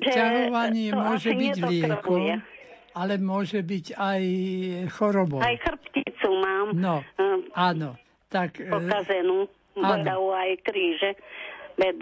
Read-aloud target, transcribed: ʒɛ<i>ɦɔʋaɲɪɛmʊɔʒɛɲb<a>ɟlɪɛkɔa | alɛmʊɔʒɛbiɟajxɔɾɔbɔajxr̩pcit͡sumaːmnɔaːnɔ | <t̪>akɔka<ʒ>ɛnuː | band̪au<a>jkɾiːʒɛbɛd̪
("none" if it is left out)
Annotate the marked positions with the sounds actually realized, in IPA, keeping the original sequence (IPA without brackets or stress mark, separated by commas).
a, i, t̪, z, a